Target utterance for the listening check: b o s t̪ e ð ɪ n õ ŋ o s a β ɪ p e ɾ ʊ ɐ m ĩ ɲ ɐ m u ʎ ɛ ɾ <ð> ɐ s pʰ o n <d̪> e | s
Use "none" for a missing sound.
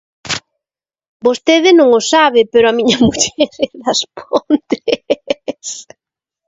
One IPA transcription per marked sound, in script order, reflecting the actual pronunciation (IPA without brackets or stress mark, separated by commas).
ð, t̪